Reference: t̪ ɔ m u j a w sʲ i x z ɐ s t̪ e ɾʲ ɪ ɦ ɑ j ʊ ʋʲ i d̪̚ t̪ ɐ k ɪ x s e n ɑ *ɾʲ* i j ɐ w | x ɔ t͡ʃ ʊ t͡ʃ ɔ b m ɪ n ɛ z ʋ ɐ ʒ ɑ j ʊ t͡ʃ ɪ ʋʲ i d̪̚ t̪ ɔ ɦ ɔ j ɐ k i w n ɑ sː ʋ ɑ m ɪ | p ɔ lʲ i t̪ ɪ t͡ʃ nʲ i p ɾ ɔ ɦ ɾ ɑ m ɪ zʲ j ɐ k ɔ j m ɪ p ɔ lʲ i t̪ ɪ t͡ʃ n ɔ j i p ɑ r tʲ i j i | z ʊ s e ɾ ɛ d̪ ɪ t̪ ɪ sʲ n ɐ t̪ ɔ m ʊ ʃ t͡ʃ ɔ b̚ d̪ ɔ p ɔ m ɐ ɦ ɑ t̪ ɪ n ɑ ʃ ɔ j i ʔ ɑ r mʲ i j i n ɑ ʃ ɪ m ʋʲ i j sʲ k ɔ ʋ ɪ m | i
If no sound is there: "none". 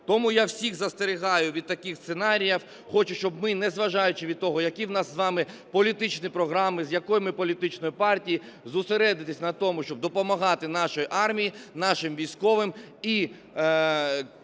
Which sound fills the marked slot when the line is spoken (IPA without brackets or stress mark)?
ɾʲ